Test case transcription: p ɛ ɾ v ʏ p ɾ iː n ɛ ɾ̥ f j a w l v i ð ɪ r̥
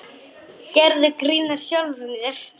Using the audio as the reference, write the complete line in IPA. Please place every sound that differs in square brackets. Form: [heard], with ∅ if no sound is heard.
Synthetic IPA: [c] ɛ ɾ [ð] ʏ [k] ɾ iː n [a] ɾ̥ [s] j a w l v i ð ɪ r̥